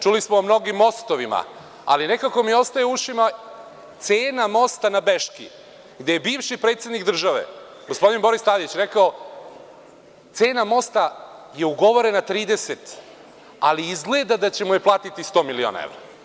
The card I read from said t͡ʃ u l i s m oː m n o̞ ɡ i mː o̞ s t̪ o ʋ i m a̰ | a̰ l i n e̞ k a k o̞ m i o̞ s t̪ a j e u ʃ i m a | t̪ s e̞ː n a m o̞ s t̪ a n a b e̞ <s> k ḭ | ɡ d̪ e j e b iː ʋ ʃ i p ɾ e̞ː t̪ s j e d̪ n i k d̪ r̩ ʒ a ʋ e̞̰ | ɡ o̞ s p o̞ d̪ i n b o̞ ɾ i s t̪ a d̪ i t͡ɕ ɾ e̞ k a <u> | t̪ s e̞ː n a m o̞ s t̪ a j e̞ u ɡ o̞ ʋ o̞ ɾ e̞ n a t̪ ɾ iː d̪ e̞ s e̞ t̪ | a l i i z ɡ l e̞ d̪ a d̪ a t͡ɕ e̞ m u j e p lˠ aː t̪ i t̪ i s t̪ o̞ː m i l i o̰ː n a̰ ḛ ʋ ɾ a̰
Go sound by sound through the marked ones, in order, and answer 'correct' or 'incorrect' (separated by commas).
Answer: incorrect, incorrect